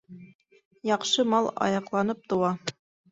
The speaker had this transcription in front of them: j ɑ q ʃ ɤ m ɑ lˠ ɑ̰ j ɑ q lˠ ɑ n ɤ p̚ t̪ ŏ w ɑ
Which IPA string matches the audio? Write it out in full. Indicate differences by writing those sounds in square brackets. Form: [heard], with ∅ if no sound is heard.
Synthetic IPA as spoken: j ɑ q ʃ ɤ m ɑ lˠ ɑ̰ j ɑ q lˠ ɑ n ɤ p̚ t̪ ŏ w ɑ